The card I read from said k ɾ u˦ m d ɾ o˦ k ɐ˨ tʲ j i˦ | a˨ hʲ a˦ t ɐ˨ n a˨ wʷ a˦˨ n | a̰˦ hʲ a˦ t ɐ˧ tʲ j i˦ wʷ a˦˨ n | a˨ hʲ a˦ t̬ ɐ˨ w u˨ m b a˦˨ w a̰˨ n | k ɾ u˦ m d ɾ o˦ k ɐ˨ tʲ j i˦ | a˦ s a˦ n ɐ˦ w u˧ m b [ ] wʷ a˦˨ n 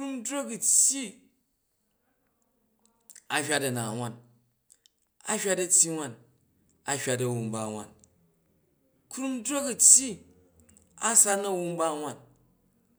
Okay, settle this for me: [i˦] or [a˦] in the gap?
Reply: a˦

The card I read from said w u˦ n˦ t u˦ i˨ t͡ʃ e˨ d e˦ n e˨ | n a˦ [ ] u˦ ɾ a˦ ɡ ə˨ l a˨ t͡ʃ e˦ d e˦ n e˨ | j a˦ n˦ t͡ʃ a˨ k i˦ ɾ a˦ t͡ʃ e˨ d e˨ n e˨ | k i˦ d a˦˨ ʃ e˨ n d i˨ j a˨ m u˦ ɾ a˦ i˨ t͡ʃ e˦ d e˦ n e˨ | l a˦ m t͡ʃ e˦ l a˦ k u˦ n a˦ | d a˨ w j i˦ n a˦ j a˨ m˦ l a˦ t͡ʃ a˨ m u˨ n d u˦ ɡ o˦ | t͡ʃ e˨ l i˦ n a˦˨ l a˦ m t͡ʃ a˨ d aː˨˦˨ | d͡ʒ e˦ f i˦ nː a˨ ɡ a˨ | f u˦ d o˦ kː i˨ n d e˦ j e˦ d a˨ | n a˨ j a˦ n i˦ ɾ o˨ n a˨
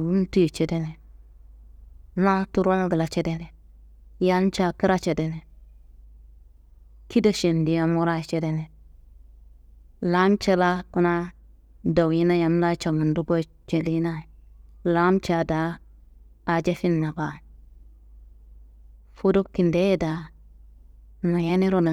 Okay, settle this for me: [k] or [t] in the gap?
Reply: t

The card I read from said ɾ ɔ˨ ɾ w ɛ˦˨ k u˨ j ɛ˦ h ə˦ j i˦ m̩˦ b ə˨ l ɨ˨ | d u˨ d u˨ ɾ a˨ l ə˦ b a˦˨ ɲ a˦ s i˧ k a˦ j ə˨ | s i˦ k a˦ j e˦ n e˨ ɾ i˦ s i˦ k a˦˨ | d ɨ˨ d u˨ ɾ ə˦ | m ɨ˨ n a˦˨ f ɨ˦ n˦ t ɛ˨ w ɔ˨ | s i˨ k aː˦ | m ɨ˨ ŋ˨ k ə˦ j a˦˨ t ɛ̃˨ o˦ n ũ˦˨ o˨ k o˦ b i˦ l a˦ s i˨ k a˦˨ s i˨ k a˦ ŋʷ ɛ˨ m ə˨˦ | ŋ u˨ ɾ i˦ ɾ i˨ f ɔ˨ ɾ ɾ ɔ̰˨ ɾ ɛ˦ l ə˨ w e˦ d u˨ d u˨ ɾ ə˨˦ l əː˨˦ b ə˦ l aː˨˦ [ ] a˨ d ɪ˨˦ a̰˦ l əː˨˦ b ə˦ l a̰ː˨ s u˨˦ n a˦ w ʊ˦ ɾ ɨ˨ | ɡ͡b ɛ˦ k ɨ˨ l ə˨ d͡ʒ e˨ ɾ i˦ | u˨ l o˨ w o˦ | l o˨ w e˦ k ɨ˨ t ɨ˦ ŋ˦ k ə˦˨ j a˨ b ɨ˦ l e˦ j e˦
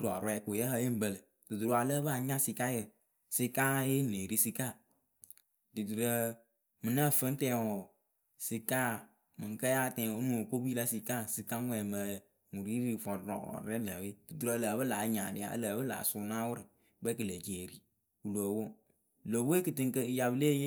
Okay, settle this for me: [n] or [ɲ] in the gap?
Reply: ɲ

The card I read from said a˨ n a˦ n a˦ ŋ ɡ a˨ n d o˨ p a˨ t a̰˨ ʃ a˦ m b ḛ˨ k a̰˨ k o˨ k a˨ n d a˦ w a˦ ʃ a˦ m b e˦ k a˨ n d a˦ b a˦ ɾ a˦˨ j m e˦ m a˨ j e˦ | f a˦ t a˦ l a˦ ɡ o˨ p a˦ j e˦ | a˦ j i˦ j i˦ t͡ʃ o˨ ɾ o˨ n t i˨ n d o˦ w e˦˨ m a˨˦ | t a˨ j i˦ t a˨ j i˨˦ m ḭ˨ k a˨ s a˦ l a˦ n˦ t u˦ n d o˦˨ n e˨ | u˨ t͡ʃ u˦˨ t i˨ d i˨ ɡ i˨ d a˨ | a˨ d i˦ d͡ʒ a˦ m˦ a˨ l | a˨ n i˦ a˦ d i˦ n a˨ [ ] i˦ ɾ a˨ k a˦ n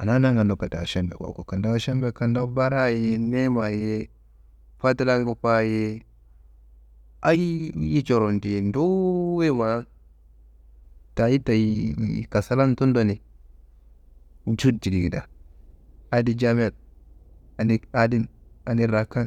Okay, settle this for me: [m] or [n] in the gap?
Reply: n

